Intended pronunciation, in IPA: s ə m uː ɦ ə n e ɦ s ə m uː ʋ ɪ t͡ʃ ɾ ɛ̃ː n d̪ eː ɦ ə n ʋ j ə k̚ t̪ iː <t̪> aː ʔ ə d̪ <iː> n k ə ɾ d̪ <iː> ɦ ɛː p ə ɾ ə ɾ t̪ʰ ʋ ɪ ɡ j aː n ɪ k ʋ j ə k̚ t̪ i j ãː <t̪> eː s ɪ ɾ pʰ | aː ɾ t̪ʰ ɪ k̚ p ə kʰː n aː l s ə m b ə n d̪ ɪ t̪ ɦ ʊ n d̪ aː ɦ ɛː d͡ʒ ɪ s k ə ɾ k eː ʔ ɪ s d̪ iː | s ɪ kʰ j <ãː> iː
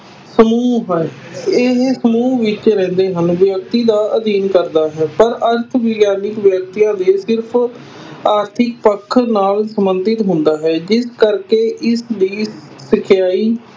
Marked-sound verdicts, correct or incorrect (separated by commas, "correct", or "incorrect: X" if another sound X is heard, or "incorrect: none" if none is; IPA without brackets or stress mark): incorrect: d̪, correct, incorrect: aː, incorrect: d̪, incorrect: aː